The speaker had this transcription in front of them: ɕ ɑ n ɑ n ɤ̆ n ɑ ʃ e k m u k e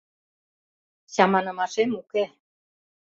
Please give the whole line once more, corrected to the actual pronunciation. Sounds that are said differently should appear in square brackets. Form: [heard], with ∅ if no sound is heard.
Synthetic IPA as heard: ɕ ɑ [m] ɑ n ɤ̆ [m] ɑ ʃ e [∅] m u k e